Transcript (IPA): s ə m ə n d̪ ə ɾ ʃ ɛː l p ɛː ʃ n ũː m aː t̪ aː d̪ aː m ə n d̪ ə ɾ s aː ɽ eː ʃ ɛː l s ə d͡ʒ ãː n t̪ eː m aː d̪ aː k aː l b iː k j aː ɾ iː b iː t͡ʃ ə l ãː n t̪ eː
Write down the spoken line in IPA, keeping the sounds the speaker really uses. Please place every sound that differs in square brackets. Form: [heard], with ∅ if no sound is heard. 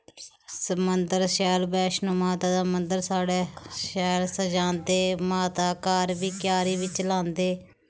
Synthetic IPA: s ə m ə n d̪ ə ɾ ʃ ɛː l [b] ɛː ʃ n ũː m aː t̪ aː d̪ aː m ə n d̪ ə ɾ s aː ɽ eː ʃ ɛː l s ə d͡ʒ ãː n [d̪] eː m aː [t̪] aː k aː [ɾ] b iː k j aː ɾ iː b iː t͡ʃ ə l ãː n [d̪] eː